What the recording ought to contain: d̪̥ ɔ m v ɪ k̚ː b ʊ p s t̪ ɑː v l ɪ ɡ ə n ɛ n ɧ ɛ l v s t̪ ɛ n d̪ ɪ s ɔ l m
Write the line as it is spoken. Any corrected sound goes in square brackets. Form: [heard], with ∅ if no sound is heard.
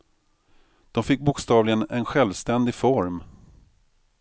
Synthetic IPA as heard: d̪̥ ɔ m [f] ɪ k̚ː b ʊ [k] s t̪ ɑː v l ɪ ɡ ə n ɛ n ɧ ɛ l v s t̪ ɛ n d̪ ɪ [f] ɔ [ɾ] m